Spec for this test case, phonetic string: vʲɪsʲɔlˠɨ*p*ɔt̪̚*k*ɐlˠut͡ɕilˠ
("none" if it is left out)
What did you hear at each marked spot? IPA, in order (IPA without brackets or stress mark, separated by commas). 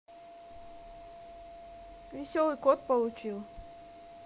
k, p